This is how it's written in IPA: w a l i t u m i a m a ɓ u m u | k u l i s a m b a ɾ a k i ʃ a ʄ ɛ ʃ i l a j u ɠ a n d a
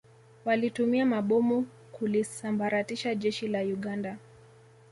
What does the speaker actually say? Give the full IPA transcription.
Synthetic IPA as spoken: w a l i t u m i a m a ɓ ɔ m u | k u l i s a m b a ɾ a t i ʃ a ʄ ɛ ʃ i l a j u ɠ a n d a